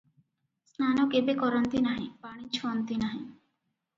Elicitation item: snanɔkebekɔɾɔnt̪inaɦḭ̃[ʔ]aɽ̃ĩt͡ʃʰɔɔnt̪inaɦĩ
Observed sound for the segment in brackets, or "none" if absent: p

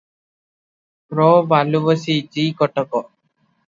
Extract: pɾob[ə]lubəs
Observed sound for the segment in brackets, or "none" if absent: a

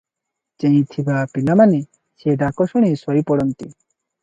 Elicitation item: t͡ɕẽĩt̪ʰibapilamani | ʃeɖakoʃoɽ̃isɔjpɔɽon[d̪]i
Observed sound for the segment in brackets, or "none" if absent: t̪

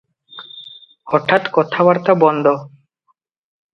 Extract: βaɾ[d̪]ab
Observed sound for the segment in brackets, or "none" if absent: t̪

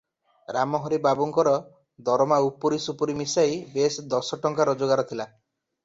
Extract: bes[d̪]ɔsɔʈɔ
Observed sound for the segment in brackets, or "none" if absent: d̪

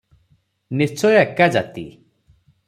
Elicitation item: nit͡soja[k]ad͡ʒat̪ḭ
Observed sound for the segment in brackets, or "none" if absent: k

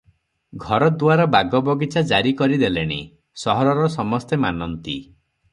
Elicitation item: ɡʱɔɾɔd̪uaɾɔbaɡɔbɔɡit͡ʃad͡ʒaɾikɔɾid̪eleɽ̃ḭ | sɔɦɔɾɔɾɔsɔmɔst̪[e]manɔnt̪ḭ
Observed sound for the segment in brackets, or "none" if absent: e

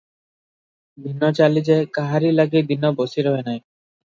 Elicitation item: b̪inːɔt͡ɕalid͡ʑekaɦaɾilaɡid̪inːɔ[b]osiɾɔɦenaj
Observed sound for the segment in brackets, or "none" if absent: b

